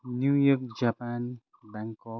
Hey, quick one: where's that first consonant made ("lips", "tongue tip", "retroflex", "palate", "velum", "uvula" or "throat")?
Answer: tongue tip